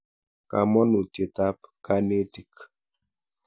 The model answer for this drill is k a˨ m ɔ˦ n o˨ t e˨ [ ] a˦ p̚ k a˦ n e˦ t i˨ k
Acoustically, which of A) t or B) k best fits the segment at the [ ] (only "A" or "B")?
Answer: A